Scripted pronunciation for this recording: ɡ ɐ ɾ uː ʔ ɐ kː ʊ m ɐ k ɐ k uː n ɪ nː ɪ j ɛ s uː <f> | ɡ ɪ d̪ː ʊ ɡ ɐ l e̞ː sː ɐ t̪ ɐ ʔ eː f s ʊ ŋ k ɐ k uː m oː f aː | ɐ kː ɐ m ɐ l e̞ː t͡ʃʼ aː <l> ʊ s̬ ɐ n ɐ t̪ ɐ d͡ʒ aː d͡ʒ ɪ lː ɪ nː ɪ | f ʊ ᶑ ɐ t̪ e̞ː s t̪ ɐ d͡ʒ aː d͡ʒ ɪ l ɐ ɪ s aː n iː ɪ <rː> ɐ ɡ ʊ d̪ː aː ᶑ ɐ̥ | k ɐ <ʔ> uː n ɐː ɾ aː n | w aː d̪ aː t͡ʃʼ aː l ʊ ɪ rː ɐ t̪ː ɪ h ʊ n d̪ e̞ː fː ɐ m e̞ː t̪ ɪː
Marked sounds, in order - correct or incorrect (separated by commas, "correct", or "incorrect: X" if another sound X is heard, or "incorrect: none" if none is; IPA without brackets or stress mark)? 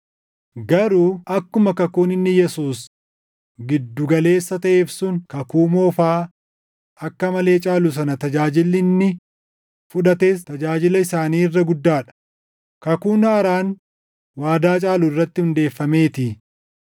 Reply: incorrect: s, correct, correct, incorrect: k